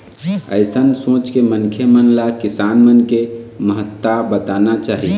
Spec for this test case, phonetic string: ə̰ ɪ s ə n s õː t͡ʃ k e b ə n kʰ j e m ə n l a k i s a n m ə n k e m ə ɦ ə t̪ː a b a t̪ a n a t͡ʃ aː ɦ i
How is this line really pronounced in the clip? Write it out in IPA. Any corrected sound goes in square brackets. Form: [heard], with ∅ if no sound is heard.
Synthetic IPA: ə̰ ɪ s ə n s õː t͡ʃ k e [m] ə n kʰ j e m ə n l a k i s a n m ə n k e m ə ɦ ə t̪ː a b [ə] t̪ a n a t͡ʃ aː ɦ i